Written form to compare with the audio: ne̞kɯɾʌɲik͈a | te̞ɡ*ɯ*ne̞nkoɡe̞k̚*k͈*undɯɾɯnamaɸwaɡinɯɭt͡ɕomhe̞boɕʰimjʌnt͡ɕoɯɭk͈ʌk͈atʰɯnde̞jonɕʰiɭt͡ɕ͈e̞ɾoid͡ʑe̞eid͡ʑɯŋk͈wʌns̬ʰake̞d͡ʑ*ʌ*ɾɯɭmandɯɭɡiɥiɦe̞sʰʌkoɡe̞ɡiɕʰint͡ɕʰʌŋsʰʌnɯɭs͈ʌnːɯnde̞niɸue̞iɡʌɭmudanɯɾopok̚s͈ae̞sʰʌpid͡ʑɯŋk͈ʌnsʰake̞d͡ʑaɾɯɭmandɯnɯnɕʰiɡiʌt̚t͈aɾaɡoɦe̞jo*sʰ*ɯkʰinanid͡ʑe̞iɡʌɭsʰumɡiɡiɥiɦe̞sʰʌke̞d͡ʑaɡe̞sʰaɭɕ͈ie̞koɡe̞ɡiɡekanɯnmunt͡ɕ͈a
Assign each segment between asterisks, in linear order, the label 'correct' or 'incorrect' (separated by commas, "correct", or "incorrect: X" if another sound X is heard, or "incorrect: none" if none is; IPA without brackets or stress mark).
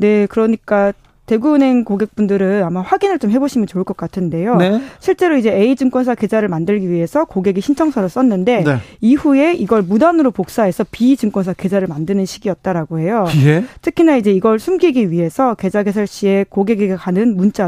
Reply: incorrect: u, incorrect: p͈, incorrect: a, incorrect: tʰ